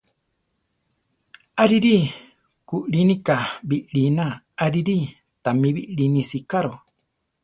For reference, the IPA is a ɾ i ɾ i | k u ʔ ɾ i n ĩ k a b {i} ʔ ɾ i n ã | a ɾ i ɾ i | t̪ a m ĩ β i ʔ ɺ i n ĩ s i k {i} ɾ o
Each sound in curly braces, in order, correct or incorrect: correct, incorrect: a

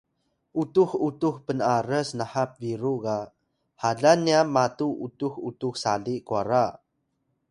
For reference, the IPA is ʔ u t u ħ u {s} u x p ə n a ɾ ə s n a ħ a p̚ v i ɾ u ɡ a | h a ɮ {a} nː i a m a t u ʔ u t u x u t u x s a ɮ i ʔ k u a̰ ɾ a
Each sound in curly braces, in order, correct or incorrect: incorrect: t, correct

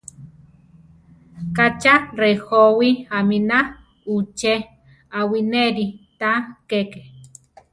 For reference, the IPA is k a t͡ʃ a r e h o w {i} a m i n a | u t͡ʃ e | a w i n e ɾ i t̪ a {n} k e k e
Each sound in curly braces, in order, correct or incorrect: correct, incorrect: none

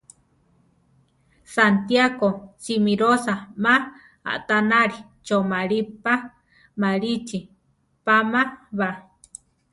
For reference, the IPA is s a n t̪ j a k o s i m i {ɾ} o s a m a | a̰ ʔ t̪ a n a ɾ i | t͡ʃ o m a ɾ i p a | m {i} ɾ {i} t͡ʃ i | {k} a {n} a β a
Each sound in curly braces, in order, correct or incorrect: correct, incorrect: a, correct, incorrect: p, incorrect: m

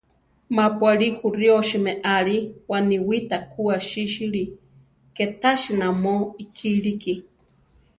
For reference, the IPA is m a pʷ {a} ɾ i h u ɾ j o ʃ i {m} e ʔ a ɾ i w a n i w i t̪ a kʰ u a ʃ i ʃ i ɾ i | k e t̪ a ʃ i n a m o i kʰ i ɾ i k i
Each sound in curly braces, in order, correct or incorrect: correct, correct

